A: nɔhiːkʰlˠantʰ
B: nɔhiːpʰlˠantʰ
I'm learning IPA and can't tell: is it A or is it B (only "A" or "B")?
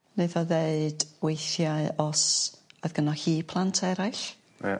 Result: B